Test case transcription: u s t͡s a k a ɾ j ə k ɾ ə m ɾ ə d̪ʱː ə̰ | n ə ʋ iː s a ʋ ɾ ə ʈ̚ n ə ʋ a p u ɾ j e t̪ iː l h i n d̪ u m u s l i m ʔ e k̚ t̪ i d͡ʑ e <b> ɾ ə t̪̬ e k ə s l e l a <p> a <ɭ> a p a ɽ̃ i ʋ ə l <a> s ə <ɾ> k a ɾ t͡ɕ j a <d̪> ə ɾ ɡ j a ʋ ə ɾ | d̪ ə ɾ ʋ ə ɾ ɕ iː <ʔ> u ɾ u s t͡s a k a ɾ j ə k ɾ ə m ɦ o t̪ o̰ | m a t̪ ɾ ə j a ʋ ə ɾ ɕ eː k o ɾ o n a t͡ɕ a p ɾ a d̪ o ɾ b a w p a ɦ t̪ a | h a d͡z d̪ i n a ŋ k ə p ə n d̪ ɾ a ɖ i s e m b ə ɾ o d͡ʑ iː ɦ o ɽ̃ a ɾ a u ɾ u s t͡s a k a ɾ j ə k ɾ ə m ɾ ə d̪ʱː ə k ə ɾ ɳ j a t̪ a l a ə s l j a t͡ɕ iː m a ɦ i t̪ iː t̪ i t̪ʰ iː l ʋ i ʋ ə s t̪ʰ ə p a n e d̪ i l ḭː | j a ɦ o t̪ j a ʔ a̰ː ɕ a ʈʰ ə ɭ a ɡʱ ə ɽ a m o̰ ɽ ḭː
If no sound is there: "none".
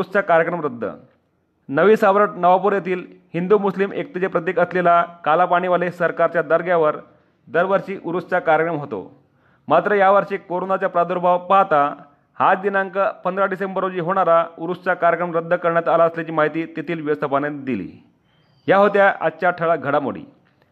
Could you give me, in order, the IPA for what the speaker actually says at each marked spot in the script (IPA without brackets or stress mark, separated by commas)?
p, k, l, e, ɾ, d̪, ʔ